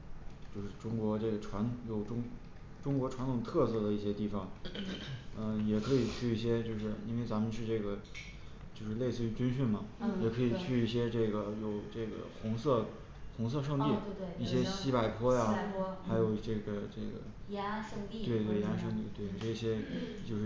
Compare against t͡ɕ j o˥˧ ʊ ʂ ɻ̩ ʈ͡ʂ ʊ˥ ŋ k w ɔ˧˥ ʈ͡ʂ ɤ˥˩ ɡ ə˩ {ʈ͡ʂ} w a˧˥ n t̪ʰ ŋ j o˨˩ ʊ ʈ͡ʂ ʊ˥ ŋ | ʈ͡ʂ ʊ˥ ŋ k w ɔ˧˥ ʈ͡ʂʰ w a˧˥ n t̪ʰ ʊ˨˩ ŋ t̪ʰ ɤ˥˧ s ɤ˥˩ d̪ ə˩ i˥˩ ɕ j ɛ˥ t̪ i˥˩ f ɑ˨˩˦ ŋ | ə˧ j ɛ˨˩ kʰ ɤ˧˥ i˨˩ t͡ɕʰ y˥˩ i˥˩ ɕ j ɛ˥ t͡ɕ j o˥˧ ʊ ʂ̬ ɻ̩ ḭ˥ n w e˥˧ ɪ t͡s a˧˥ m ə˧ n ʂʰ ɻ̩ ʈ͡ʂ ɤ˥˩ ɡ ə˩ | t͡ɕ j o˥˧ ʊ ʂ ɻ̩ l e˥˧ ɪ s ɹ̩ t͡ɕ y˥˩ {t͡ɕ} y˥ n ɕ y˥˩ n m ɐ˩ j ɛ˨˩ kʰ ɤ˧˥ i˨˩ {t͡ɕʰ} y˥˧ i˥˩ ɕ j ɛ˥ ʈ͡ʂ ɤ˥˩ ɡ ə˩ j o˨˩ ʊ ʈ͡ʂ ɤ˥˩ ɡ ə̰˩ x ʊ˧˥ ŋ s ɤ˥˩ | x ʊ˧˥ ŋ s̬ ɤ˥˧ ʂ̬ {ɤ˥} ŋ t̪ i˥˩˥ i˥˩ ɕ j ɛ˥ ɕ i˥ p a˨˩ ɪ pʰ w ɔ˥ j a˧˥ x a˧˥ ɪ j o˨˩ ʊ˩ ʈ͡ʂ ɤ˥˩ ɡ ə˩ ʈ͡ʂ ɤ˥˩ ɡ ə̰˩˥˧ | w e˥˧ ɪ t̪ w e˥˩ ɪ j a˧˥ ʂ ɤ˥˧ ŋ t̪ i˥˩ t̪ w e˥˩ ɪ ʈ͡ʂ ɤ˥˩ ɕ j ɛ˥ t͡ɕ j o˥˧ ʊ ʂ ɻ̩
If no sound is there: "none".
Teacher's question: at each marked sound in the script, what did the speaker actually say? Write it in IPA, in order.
ʈ͡ʂʰ, t͡ɕ, t͡ɕʰ, ɤ˥˧

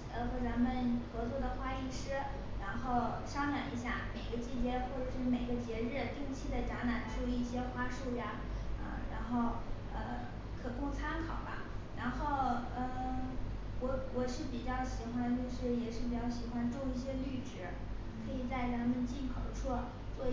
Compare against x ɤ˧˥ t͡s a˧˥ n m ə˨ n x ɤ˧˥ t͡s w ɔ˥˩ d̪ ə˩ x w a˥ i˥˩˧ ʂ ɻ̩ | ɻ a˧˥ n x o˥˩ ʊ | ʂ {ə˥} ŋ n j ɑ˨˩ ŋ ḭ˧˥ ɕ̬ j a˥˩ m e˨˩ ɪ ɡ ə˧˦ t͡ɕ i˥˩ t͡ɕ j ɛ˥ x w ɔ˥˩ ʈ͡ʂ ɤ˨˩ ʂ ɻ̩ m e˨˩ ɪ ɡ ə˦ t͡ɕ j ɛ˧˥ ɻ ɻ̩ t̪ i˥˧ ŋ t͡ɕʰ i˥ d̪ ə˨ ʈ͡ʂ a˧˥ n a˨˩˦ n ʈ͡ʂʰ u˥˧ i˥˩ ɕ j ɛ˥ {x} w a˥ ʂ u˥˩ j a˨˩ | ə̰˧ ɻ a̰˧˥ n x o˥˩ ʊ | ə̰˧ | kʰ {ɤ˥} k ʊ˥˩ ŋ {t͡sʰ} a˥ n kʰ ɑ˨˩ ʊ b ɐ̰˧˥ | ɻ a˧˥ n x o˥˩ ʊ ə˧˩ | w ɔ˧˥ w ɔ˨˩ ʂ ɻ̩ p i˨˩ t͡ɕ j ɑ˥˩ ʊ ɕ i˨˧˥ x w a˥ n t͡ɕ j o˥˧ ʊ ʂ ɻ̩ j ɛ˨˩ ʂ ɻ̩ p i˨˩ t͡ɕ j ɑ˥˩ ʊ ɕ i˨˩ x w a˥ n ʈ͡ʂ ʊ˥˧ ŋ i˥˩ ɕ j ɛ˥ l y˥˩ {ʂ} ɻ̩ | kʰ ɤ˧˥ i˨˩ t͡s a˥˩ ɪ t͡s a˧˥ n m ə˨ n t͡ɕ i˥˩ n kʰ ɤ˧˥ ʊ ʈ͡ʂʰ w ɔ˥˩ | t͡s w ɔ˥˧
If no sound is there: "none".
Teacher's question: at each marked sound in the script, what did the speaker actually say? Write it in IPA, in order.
ɑ˥, x, ɤ˨˩, t͡sʰ, ʈ͡ʂ

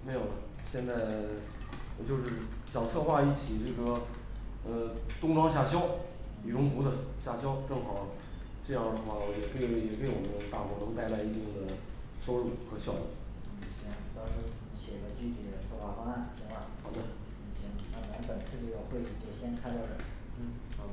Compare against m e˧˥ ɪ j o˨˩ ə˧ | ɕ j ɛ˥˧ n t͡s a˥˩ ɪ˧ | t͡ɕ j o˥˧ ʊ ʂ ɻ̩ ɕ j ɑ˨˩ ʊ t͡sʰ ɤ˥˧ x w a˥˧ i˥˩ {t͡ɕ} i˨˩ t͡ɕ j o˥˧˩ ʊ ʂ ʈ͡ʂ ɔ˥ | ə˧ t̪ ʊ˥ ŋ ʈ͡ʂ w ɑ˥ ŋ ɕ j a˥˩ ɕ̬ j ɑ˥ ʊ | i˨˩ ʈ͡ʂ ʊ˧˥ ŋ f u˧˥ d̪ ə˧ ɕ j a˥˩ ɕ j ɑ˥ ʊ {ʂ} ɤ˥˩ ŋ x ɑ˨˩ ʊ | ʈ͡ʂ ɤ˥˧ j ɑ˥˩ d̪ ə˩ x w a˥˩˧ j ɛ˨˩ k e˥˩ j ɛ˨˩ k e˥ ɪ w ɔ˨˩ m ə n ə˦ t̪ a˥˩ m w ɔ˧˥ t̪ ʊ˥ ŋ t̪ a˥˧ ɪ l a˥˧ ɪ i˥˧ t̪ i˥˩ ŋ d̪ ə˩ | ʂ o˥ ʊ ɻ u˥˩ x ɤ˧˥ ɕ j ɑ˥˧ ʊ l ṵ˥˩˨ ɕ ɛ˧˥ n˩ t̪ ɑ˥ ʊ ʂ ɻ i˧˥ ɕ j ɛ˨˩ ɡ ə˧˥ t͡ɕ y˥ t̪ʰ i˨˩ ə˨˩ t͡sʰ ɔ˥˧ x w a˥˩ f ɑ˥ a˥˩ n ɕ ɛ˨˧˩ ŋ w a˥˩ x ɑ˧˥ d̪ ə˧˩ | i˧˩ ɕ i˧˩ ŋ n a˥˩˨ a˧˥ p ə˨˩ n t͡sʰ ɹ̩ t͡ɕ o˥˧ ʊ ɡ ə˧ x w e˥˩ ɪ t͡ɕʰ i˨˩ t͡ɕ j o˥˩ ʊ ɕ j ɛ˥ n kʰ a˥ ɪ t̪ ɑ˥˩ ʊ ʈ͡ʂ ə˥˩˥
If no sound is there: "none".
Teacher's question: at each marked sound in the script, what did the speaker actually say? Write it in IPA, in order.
t͡ɕʰ, ʈ͡ʂ

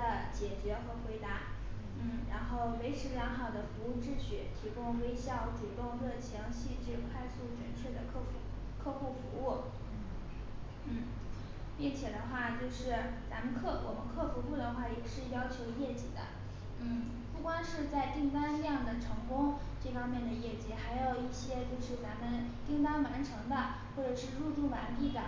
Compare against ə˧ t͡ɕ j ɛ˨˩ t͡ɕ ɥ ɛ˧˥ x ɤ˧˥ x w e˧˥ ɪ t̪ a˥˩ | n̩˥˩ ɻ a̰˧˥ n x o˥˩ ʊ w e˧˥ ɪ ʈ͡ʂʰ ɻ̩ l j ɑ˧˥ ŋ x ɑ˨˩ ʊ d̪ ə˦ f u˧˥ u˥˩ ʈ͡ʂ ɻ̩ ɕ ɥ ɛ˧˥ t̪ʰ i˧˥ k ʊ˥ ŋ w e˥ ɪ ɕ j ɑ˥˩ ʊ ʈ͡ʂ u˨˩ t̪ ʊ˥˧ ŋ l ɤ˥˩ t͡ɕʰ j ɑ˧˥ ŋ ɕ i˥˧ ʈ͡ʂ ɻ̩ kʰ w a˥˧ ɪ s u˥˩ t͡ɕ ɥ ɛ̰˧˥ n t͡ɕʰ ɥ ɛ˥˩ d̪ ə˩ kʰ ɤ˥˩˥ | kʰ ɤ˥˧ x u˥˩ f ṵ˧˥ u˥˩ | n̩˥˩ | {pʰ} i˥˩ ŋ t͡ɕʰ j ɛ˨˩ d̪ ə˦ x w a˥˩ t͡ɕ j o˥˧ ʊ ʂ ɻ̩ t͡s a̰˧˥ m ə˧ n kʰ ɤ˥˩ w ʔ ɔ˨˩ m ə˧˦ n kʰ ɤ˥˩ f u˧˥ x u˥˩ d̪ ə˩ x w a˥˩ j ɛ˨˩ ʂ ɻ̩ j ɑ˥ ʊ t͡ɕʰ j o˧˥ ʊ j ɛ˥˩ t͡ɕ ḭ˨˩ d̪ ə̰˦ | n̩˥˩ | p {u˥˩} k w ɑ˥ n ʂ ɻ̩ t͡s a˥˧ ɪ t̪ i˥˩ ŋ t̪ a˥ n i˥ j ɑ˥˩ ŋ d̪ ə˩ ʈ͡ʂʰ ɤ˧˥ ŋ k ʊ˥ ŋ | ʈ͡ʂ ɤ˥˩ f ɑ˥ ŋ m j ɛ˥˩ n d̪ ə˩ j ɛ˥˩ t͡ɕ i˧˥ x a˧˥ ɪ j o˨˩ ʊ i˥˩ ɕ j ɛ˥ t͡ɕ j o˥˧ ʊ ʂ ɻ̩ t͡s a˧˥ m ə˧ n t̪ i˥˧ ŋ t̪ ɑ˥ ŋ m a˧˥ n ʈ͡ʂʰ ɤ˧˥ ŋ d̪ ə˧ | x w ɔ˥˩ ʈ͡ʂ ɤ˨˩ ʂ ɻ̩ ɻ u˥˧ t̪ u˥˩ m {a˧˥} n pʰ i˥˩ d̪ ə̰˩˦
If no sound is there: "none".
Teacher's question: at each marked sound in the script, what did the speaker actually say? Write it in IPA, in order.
p, u˥˩, a˧˥

